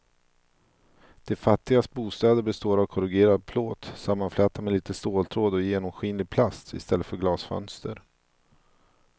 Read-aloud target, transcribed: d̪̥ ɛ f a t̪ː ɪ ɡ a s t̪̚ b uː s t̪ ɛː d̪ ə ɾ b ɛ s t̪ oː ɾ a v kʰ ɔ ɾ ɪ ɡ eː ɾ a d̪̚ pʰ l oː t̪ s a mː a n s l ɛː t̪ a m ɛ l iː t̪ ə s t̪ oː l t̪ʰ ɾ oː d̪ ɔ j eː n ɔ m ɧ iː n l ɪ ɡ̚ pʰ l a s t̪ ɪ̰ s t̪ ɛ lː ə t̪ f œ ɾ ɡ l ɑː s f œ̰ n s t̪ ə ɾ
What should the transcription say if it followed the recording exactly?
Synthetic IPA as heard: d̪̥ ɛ f a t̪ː ɪ ɡ a s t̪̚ b uː s t̪ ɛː d̪ ə ɾ b ɛ s t̪ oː ɾ a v kʰ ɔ ɾ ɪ ɡ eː ɾ a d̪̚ pʰ l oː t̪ s a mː a n f l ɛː t̪ a m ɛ l iː t̪ ə s t̪ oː l t̪ʰ ɾ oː d̪ ɔ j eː n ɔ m ɧ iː n l ɪ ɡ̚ pʰ l a s t̪ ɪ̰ s t̪ ɛ lː ə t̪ f œ ɾ ɡ l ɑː s f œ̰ n s t̪ ə ɾ

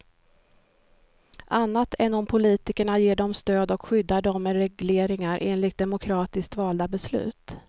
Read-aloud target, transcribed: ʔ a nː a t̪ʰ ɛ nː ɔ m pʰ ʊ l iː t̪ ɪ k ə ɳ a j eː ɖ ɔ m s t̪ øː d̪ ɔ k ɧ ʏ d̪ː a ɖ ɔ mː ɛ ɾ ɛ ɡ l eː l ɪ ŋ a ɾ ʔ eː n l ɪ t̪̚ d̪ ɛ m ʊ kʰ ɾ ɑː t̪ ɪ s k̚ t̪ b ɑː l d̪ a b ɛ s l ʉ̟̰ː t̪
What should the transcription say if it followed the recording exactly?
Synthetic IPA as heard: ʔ a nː a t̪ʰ ɛ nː ɔ m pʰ ʊ l iː t̪ ɪ k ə ɳ a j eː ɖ ɔ m s t̪ øː d̪ ɔ k ɧ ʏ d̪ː a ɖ ɔ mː ɛ ɾ ɛ ɡ l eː ɾ ɪ ŋ a ɾ ʔ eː n l ɪ t̪̚ d̪ ɛ m ʊ kʰ ɾ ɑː t̪ ɪ s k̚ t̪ v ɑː l d̪ a b ɛ s l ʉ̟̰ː t̪

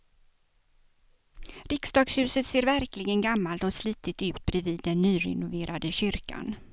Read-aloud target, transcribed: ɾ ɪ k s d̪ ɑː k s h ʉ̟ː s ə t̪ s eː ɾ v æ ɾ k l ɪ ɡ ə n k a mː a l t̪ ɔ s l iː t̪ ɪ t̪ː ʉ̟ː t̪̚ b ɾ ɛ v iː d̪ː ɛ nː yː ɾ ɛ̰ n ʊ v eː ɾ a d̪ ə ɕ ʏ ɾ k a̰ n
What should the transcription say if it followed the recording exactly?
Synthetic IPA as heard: ɾ ɪ k s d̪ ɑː ɡ s h ʉ̟ː s ə t̪ s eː ɾ v æ ɾ k l ɪ ɡ ə n ɡ a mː a l t̪ ɔ s l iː t̪ ɪ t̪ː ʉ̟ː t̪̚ b ɾ ɛ v iː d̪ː ɛ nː yː ɾ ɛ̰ n ʊ v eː ɾ a d̪ ə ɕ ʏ ɾ k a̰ n

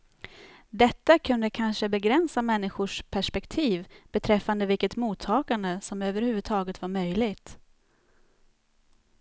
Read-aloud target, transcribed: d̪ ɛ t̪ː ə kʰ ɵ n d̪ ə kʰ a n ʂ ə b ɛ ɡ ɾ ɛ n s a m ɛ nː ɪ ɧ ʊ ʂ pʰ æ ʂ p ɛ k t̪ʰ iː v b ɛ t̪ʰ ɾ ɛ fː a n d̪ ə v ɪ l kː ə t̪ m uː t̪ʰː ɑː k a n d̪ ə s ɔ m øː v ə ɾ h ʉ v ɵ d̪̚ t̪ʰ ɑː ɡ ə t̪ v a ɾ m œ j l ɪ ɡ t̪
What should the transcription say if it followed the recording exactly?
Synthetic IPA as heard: d̪ ɛ t̪ː a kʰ ɵ n d̪ ə kʰ a n ʂ ə b ɛ ɡ ɾ ɛ n s a m ɛ nː ɪ ɧ ʊ ʂ pʰ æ ʂ p ɛ k t̪ʰ iː v b ɛ t̪ʰ ɾ ɛ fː a n d̪ ə v ɪ l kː ə t̪ m uː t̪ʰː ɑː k a n d̪ ə s ɔ m øː v ə ɾ h ʉ v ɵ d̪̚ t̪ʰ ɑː ɡ ə t̪ v a ɾ m œ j l ɪ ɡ t̪

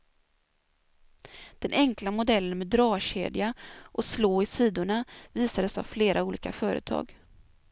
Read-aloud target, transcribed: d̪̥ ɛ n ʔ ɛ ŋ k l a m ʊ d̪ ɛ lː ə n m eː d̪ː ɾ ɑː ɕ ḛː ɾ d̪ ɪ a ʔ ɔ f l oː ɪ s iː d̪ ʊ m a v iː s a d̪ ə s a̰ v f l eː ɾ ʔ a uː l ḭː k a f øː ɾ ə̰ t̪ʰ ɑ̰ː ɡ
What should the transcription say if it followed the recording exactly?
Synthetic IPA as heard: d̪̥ ɛ n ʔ ɛ ŋ k l a m ʊ d̪ ɛ lː ə n m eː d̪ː ɾ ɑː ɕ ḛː d̪ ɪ a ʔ ɔ s l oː ɪ s iː d̪ ʊ ɳ a v iː s a d̪ ə s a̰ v f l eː ɾ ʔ a uː l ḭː k a f œː ɾ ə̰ t̪ʰ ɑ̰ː ɡ

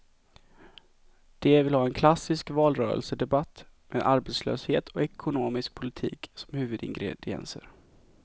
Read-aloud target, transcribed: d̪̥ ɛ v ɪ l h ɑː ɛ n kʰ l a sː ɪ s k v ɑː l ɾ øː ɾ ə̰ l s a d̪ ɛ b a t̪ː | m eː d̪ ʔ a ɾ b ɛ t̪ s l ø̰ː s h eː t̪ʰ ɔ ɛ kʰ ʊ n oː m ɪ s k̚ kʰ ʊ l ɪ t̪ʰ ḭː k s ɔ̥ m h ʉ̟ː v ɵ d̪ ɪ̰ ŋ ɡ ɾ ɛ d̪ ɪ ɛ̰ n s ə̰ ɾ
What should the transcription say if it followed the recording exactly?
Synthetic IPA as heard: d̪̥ ɛ v ɪ l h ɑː ɛ n kʰ l a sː ɪ s k v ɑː l ɾ œː ɾ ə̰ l s ə d̪ ɛ b a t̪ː | m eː d̪ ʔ a ɾ b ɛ t̪ s l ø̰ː s h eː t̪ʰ ɔ ɛ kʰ ʊ n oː m ɪ s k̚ pʰ ʊ l ɪ t̪ʰ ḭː k s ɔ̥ m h ʉ̟ː v ɵ d̪ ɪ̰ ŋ ɡ ɾ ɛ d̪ ɪ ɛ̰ n s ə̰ ɾ

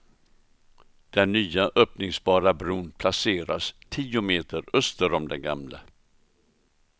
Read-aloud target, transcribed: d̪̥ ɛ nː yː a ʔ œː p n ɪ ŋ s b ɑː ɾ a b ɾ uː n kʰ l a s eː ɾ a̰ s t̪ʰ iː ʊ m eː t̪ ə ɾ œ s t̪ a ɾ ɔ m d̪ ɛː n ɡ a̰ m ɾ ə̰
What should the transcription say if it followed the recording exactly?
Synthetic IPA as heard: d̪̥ ɛ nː yː a ʔ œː p n ɪ ŋ s b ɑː ɾ a b ɾ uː n pʰ l a s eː ɾ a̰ s t̪ʰ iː ʊ m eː t̪ ə ɾ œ s t̪ ə ɾ ɔ m d̪ ɛ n ɡ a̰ m l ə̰

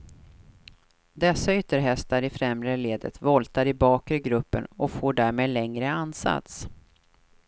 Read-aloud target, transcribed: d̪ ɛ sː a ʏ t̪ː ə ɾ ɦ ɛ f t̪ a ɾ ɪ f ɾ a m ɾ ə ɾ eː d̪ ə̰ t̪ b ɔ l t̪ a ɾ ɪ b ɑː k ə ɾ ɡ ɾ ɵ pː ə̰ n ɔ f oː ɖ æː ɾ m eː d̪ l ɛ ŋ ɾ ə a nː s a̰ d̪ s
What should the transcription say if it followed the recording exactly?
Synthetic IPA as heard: d̪ ɛ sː a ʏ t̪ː ə ɾ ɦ ɛ s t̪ a ɾ ɪ f ɾ ɛ m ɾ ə l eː d̪ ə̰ t̪ v ɔ l t̪ a ɾ ɪ b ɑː k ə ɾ ɡ ɾ ɵ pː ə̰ n ɔ f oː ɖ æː ɾ m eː d̪ l ɛ ŋ ɾ ə a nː s a̰ t̪ s

